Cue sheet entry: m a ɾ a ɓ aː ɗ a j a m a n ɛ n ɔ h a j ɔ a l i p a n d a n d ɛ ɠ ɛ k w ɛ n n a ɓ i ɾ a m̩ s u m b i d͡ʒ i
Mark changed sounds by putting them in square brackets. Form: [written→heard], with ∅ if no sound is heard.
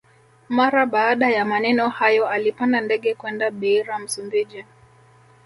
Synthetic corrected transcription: m a ɾ a ɓ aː ɗ a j a m a n ɛ n ɔ h a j ɔ a l i p a n d a n d ɛ ɠ ɛ k w ɛ n [n→d] a ɓ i ɾ a m̩ s u m b i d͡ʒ i